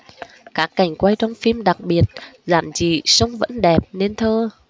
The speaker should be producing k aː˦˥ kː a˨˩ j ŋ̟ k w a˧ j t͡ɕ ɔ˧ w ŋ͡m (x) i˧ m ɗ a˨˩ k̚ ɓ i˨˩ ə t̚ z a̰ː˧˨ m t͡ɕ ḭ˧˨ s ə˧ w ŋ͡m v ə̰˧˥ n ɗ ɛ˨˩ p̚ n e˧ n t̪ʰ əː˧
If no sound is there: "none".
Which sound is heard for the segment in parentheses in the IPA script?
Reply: f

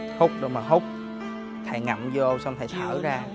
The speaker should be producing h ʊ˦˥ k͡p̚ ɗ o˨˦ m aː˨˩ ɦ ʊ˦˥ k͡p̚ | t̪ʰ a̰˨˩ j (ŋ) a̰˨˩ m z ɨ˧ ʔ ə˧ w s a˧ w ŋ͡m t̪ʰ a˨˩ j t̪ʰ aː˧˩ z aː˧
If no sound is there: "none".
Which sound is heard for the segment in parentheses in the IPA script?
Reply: ŋ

